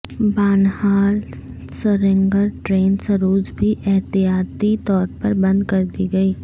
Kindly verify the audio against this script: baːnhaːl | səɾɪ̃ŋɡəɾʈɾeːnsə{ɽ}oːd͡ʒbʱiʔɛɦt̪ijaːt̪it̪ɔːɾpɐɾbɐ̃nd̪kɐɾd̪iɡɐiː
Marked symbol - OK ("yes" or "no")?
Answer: no